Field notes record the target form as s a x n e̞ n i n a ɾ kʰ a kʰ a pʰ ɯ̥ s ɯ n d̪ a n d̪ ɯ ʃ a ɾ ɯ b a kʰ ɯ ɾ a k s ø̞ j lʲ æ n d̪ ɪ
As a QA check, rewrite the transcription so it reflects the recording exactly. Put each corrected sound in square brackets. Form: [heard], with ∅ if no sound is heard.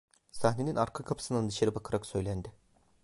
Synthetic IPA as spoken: s a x n e̞ n i n a ɾ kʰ a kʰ a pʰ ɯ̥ s ɯ n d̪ a n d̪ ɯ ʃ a ɾ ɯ b a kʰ ɯ ɾ a k s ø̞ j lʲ æ n d̪ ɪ